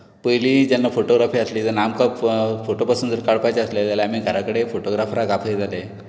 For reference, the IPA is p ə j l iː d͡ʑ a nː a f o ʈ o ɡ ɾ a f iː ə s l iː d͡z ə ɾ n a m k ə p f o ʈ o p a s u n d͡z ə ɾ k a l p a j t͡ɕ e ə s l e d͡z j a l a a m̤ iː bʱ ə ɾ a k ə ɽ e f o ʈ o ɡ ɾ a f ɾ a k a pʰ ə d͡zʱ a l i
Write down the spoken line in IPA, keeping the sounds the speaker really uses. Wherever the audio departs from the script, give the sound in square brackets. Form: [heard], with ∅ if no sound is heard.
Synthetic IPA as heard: p ə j l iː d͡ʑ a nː a f o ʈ o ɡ ɾ a f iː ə s l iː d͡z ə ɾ n a m k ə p f o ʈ o p a s u n d͡z ə ɾ k a [ɽ] p a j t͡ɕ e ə s l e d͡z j a l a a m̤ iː [ɡʱ] ə ɾ a k ə ɽ e f o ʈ o ɡ ɾ a f ɾ a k a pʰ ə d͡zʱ a l [e]